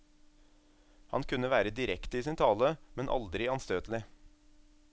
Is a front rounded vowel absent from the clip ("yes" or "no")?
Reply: no